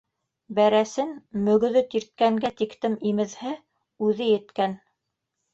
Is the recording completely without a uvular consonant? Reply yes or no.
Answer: yes